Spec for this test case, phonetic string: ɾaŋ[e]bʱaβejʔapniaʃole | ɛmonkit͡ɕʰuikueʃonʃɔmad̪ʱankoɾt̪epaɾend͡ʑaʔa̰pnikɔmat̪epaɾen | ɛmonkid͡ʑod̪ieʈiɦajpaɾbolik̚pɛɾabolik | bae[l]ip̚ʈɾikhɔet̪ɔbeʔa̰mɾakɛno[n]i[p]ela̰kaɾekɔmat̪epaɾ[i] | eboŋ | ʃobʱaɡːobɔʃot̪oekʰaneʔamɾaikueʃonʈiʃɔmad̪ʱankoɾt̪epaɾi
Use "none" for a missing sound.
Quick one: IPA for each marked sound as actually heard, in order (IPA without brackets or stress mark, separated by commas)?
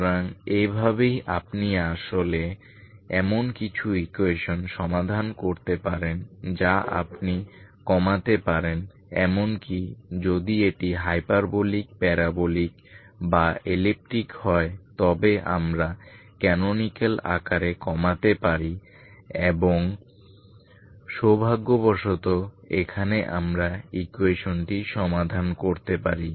e, l, n, k, i